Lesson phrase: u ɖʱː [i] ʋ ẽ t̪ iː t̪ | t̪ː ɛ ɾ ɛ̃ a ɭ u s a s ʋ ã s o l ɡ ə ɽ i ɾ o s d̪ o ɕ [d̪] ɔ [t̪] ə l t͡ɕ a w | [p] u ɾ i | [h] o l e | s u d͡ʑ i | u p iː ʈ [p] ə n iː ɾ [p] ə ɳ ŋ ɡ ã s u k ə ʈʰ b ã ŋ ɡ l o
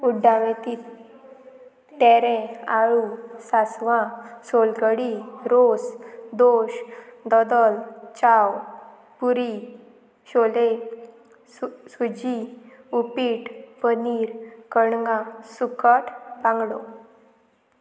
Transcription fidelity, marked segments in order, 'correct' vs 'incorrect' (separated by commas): incorrect, correct, incorrect, correct, incorrect, correct, incorrect